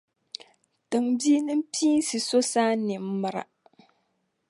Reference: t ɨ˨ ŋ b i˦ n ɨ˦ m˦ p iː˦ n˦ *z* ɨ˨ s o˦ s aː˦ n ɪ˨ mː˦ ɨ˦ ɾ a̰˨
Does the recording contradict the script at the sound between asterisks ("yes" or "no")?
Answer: yes